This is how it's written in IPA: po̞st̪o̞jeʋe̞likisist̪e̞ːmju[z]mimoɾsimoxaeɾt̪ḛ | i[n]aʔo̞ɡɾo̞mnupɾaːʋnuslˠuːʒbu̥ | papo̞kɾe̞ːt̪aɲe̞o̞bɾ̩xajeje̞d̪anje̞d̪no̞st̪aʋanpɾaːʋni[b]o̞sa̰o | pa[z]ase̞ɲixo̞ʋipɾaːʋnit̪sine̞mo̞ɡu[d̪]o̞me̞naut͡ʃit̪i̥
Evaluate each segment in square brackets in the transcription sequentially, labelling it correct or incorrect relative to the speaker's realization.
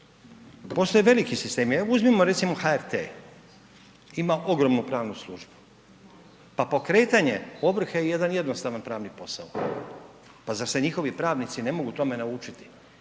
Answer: correct, incorrect: m, incorrect: p, correct, incorrect: t̪

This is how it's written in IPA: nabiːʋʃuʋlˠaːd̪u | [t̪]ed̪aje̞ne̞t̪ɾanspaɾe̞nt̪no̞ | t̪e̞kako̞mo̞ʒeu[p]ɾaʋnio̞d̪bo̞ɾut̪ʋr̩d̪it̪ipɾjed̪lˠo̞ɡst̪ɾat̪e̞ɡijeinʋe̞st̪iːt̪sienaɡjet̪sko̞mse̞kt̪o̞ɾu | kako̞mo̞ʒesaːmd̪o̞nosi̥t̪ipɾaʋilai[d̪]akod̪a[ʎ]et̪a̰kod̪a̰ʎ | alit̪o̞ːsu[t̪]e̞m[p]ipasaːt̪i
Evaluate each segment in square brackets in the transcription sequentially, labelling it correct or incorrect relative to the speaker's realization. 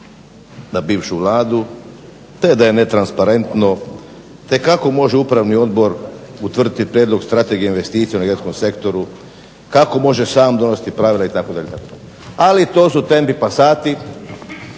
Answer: correct, correct, incorrect: t̪, correct, correct, correct

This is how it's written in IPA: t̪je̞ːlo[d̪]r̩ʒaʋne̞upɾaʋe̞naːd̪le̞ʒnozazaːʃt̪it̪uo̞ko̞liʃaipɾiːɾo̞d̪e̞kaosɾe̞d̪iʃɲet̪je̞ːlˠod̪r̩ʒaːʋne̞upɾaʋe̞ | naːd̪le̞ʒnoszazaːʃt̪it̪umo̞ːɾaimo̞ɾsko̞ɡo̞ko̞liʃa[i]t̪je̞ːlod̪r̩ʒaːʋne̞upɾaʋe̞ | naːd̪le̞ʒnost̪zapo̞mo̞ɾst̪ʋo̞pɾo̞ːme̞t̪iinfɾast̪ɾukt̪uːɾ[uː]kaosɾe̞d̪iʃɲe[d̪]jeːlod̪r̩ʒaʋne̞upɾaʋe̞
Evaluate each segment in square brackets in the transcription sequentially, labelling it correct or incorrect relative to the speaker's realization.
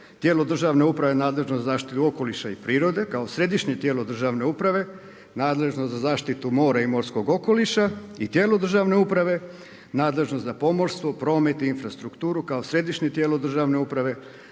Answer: correct, correct, incorrect: u, incorrect: t̪

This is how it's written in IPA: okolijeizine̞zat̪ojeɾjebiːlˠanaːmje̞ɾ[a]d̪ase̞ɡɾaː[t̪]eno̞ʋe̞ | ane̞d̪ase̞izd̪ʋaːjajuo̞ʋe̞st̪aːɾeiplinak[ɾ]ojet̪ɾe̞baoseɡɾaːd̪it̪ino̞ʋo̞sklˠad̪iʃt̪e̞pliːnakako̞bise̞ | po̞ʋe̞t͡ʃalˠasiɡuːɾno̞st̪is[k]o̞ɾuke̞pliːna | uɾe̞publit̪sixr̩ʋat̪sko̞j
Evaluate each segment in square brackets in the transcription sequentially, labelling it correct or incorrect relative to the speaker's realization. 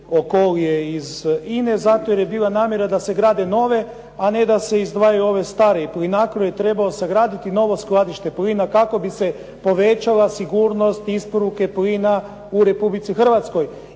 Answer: correct, incorrect: d̪, correct, incorrect: p

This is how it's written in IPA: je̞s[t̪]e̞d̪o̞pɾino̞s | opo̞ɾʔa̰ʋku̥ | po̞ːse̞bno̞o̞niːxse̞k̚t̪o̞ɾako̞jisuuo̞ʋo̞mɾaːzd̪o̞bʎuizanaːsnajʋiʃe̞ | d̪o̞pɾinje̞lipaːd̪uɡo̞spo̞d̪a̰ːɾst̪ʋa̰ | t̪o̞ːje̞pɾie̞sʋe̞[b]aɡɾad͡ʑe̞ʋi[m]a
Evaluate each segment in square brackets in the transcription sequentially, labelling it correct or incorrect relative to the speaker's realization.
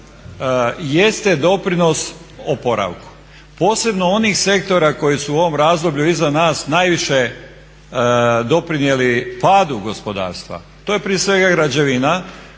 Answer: correct, incorrect: ɡ, incorrect: n

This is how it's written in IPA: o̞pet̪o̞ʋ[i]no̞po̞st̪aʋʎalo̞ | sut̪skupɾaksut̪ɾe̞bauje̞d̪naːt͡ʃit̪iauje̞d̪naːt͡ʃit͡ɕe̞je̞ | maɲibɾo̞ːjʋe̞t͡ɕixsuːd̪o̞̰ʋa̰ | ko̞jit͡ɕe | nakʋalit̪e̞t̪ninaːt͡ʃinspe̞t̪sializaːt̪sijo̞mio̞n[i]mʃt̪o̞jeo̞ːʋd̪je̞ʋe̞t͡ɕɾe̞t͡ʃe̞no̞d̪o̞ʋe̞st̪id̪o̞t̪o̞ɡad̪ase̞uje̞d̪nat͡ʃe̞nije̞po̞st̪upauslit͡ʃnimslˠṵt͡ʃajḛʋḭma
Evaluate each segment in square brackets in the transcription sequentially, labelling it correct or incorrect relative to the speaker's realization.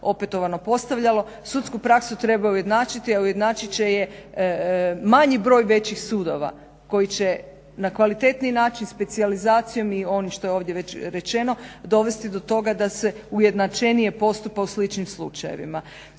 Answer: incorrect: a, correct

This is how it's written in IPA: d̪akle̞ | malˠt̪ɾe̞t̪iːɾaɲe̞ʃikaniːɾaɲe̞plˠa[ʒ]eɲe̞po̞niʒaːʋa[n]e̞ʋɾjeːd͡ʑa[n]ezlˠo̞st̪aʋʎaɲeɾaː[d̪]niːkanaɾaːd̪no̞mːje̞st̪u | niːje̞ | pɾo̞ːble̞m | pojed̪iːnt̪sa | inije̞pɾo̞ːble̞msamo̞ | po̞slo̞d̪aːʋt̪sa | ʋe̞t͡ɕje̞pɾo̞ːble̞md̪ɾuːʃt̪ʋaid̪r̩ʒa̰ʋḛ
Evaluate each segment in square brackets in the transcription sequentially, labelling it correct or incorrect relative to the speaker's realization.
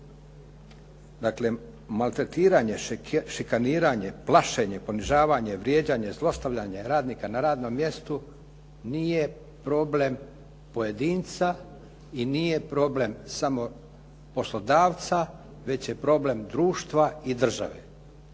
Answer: incorrect: ʃ, incorrect: ɲ, incorrect: ɲ, correct

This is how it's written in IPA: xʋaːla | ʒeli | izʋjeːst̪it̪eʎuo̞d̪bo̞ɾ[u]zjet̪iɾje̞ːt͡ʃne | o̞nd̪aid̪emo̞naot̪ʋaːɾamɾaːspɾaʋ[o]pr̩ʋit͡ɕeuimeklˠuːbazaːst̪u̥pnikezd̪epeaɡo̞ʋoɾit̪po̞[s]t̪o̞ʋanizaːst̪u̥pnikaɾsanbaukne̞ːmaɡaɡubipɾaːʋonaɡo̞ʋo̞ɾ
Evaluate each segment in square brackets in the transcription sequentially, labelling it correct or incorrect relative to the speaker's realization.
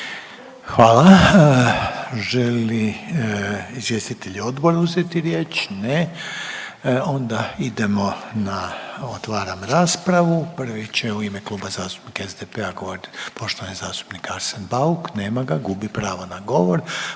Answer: correct, incorrect: u, incorrect: ʃ

